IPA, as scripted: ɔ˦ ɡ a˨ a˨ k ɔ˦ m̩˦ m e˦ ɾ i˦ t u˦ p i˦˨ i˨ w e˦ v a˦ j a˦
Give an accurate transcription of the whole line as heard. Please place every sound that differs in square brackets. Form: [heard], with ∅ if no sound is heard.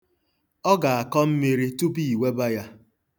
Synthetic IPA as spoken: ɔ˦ ɡ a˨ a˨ k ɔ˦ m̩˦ m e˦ ɾ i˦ t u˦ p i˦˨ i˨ w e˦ [b] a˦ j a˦